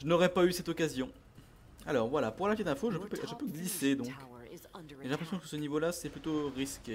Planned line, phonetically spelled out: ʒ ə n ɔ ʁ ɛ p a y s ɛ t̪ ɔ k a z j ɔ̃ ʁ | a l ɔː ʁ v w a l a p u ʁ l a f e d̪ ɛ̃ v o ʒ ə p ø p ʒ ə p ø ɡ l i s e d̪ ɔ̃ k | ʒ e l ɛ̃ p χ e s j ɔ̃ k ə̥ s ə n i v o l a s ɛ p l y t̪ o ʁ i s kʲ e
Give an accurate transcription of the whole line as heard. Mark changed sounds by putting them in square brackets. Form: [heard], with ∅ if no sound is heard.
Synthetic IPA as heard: ʒ ə n ɔ ʁ ɛ p a y s ɛ t̪ ɔ k a z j ɔ̃ [∅] | a l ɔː ʁ v w a l a p u ʁ l a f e d̪ ɛ̃ [f] o ʒ ə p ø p ʒ ə p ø ɡ l i s e d̪ ɔ̃ k | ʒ e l ɛ̃ p χ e s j ɔ̃ k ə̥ s ə n i v o l a s ɛ p l y t̪ o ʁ i s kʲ e